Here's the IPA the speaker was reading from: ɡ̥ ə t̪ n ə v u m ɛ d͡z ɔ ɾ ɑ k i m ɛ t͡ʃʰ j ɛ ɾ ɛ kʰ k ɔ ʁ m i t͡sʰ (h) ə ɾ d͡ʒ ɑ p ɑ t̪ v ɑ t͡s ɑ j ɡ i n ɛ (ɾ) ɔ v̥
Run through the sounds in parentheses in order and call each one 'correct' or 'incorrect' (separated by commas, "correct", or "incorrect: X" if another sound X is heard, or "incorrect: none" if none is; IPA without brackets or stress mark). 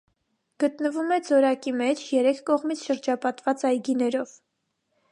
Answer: incorrect: ʃ, correct